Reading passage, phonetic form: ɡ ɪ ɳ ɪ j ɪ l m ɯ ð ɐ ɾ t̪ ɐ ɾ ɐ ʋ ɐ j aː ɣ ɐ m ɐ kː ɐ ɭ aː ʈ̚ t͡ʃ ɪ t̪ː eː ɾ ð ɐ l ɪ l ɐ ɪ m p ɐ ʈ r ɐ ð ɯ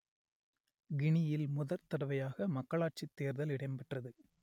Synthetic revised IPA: ɡ ɪ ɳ ɪ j ɪ l m ʊ ð ɐ ɾ t̪ ɐ ɽ ɐ ʋ ɐ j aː ɣ ɐ m ɐ kː ɐ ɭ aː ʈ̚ t͡ʃ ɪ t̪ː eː ɾ ð ɐ l ɪ ɽ ɐ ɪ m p ɐ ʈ r ɐ ð ɯ